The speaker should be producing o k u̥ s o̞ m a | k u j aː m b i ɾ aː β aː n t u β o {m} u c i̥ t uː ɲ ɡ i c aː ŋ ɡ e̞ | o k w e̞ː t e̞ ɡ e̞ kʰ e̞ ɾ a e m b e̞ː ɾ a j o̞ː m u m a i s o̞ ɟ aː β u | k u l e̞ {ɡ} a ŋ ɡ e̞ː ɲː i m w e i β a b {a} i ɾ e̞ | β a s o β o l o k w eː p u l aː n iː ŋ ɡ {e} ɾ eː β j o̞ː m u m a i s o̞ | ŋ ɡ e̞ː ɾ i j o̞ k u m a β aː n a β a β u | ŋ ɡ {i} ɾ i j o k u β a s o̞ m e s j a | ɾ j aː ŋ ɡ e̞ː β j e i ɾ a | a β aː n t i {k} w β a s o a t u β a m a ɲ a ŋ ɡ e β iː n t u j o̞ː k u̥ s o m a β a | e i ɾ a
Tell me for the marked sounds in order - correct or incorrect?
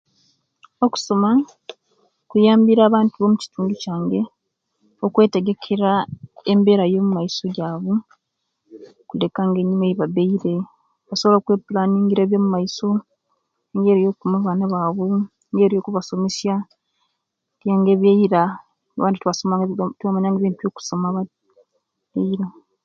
correct, incorrect, incorrect, incorrect, incorrect, incorrect

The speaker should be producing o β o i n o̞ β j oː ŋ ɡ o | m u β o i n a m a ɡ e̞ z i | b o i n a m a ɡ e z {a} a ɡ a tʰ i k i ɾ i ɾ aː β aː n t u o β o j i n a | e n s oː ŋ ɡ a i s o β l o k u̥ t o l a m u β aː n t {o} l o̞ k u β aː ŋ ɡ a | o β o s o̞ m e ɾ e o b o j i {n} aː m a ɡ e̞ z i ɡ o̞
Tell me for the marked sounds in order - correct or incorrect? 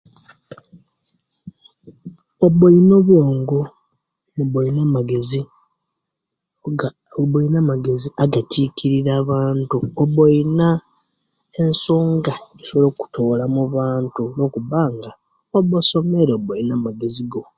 incorrect, incorrect, correct

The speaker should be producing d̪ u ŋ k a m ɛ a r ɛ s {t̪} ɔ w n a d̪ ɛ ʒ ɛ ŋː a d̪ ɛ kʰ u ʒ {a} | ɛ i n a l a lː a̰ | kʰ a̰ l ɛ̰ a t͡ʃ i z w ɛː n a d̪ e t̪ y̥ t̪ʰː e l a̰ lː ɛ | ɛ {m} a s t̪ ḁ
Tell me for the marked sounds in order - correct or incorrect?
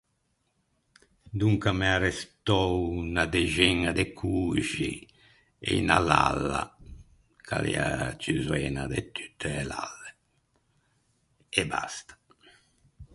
correct, incorrect, incorrect

